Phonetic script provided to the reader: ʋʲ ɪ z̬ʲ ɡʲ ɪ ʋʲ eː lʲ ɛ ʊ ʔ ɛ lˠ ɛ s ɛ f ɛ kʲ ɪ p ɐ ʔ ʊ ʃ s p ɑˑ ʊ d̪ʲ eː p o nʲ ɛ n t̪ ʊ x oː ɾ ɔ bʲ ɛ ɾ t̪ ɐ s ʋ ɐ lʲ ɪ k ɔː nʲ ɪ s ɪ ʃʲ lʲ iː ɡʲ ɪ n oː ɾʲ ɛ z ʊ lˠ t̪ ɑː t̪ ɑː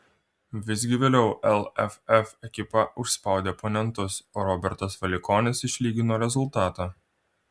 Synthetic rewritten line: ʋʲ ɪ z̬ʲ ɡʲ ɪ ʋʲ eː lʲ ɛ ʊ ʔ ɛ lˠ ɛ f ɛ f ɛ kʲ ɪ p ɐ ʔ ʊ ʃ s p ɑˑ ʊ d̪ʲ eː p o nʲ ɛ n t̪ ʊ s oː ɾ ɔ bʲ ɛ ɾ t̪ ɐ s ʋ ɐ lʲ ɪ k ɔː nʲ ɪ s ɪ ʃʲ lʲ iː ɡʲ ɪ n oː ɾʲ ɛ z ʊ lˠ t̪ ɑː t̪ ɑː